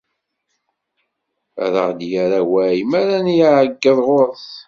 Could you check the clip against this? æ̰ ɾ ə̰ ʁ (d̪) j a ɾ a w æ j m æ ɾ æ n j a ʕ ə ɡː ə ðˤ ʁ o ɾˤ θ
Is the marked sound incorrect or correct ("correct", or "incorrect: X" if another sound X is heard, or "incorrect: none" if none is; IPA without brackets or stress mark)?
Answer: correct